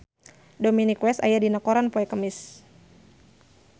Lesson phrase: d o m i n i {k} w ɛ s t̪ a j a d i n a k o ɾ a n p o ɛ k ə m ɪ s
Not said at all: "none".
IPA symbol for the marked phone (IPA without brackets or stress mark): k